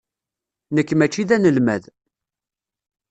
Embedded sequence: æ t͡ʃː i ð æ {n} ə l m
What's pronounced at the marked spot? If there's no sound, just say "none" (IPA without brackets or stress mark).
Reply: n